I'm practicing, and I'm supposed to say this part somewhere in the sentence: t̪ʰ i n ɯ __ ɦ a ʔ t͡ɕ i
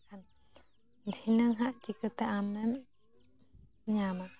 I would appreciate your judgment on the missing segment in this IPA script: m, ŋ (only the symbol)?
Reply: ŋ